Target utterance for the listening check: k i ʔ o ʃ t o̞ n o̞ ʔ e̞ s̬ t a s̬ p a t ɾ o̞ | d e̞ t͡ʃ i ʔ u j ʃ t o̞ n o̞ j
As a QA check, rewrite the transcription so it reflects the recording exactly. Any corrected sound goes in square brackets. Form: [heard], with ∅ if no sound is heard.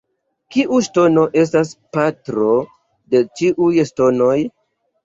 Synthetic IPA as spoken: k i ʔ [u] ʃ t o̞ n o̞ ʔ e̞ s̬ t a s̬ p a t ɾ o̞ | d e̞ t͡ʃ i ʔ u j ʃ t o̞ n o̞ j

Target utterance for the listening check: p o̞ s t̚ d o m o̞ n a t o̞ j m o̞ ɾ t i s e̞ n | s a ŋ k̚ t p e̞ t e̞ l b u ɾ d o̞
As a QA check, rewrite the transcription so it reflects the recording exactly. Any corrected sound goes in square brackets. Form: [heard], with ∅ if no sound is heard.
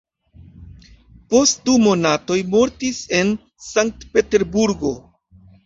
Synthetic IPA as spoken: p o̞ s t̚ d [u] m o̞ n a t o̞ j m o̞ ɾ t i s e̞ n | s a ŋ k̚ t p e̞ t e̞ [ɾ] b u ɾ [ɡ] o̞

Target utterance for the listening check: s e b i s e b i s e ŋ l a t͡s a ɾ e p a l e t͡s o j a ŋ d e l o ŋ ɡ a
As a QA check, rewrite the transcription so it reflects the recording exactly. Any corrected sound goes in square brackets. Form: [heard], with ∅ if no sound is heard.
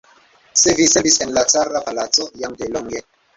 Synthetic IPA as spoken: s e [v] i s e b i s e [n] l a t͡s a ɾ [a] p a l [a] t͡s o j a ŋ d e l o ŋ ɡ [e]

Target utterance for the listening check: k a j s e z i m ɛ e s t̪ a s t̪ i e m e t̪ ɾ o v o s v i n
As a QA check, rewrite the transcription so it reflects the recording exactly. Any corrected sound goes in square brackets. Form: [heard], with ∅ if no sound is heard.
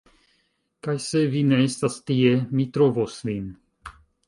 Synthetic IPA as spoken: k a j s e [v] i [n] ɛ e s t̪ a s t̪ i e m [i] t̪ ɾ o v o s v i n

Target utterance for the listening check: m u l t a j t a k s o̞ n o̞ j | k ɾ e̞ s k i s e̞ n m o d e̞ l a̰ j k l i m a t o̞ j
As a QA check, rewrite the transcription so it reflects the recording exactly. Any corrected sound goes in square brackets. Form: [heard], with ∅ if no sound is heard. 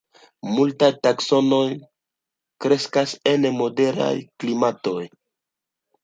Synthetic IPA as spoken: m u l t a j t a k s o̞ n o̞ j | k ɾ e̞ s k [a] s e̞ n m o d e̞ [ɾ] a̰ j k l i m a t o̞ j

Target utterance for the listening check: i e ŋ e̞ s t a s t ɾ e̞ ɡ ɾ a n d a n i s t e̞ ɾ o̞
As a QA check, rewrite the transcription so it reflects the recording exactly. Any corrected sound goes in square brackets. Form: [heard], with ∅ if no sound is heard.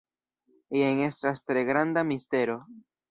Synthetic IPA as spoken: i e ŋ e̞ s t a s t ɾ e̞ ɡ ɾ a n d a [m] i s t e̞ ɾ o̞

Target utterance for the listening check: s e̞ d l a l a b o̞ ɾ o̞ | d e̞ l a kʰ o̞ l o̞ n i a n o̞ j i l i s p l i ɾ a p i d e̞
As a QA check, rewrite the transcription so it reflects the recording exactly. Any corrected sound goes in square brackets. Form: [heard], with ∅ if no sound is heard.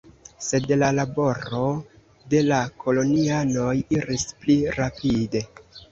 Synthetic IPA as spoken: s e̞ d l a l a b o̞ ɾ o̞ | d e̞ l a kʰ o̞ l o̞ n i a n o̞ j i [ɾ] i s p l i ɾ a p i d e̞

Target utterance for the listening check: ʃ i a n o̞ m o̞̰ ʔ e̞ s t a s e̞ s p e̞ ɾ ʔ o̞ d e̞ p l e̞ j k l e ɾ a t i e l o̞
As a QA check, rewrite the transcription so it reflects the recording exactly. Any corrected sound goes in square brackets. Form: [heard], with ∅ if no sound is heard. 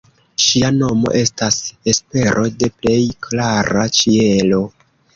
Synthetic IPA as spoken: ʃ i a n o̞ m o̞̰ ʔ e̞ s t a s e̞ s p e̞ ɾ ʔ o̞ d e̞ p l e̞ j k l [a] ɾ a [t͡ʃ] i e l o̞

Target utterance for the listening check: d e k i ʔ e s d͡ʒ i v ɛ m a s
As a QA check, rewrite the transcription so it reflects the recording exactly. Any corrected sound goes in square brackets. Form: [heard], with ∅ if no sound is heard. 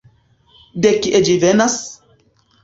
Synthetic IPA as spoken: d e k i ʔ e [∅] d͡ʒ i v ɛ [n] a s

